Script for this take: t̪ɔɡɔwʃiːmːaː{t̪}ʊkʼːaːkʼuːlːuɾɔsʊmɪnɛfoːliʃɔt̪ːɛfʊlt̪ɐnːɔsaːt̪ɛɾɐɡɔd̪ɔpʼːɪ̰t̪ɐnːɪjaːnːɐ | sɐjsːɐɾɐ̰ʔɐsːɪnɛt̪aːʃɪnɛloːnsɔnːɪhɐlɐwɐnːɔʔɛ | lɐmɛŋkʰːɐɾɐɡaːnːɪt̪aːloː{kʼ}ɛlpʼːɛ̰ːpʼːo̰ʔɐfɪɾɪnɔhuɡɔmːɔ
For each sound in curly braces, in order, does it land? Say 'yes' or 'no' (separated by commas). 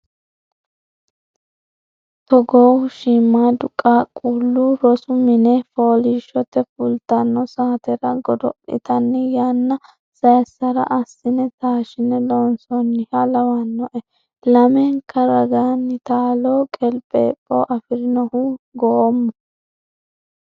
no, yes